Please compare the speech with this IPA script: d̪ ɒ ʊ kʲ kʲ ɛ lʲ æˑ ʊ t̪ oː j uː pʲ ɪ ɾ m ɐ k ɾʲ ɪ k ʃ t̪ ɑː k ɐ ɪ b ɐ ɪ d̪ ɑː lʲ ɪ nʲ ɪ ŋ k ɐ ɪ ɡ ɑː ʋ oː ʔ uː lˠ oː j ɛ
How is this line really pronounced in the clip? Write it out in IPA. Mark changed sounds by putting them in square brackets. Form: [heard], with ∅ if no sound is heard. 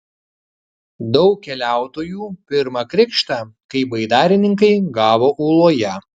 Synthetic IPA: d̪ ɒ ʊ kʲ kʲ ɛ lʲ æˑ ʊ t̪ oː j uː pʲ ɪ ɾ m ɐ k ɾʲ ɪ k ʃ t̪ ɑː k ɐ ɪ b ɐ ɪ d̪ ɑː [ɾʲ] ɪ nʲ ɪ ŋ k ɐ ɪ ɡ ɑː ʋ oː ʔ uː lˠ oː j ɛ